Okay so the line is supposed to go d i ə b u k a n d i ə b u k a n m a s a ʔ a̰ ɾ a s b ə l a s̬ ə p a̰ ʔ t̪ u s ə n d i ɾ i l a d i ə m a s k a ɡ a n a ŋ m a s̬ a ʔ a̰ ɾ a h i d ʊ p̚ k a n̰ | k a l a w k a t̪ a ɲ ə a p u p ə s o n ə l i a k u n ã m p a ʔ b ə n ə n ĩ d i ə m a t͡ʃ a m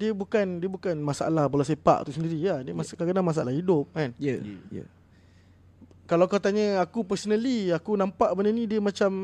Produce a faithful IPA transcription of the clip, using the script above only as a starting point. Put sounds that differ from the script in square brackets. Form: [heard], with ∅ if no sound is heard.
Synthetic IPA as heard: d i ə b u k a n d i ə b u k a n m a s a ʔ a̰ [l] a [h] b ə l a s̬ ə p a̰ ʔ t̪ u s ə n d i ɾ i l a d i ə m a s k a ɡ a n a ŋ m a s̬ a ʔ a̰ [l] a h i d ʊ p̚ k a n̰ | k a l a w k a t̪ a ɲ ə a [k] u p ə s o n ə l i a k u n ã m p a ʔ b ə n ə n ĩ d i ə m a t͡ʃ a m